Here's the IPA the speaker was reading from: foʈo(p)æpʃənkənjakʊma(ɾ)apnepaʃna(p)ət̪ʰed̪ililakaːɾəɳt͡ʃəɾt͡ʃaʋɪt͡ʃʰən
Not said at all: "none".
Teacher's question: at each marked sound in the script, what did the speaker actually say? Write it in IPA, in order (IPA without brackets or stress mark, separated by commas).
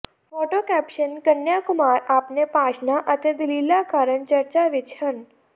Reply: k, ɾ, ʔ